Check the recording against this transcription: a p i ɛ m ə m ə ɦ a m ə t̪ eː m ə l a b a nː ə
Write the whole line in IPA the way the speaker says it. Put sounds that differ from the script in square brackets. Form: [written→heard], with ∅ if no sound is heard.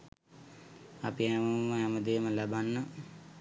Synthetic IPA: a p i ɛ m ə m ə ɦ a m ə [t̪→d̪] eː m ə l a b a nː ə